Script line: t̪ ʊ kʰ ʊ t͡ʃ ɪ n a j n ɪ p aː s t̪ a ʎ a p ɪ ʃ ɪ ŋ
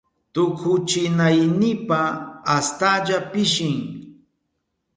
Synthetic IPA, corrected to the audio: t̪ ʊ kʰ ʊ t͡ʃ ɪ n a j n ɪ p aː s t̪ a ʎ a p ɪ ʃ ɪ ŋ